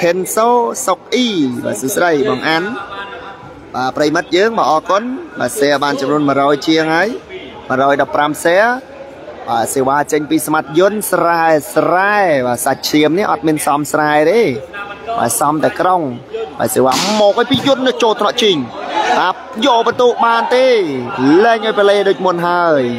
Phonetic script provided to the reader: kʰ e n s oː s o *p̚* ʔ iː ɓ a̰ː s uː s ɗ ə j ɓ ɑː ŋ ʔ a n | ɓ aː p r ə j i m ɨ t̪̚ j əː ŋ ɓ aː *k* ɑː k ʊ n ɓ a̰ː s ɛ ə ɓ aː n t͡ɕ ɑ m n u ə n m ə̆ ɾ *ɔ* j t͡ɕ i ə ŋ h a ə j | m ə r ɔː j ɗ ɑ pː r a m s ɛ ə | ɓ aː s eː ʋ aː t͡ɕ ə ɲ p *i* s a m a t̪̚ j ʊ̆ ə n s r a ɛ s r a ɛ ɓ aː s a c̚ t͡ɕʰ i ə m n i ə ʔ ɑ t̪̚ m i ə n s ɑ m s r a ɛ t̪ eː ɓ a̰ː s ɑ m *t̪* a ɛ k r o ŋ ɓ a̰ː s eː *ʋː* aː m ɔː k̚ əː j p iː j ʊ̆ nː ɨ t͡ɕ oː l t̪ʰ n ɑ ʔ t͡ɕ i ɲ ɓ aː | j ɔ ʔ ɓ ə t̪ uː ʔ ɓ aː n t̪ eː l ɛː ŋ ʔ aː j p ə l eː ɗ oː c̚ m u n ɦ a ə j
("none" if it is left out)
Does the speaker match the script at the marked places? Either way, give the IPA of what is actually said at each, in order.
k̚, ʔ, ɔː, iː, t̪, ʋ

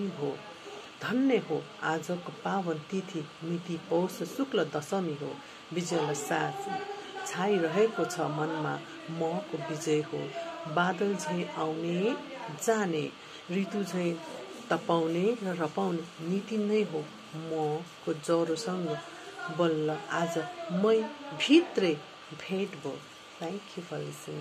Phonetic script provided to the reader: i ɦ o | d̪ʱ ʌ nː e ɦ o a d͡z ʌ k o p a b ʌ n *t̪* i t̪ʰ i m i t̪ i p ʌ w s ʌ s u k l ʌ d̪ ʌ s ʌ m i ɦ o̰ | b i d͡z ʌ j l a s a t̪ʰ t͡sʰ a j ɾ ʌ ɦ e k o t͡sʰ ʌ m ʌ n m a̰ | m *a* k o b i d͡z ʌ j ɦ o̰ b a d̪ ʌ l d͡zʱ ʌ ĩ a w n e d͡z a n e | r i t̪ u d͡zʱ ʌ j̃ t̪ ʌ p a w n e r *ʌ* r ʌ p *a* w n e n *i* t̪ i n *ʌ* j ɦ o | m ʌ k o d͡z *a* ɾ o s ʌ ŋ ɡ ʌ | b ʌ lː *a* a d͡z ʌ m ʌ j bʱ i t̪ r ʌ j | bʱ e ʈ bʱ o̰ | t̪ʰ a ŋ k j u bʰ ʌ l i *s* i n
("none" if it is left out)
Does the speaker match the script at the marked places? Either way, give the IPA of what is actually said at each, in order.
t̪, ʌ, ʌ, a, i, ʌ, ʌ, ʌ, s

